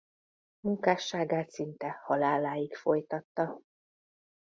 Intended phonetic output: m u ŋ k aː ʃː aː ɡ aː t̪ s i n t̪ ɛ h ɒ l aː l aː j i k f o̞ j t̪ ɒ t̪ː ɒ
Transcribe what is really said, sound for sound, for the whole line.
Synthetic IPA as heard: m u ŋ k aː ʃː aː ɡ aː t̪ s i n t̪ ɛ h ɒ l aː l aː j i k f o̞ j t̪ ɒ t̪ː ɒ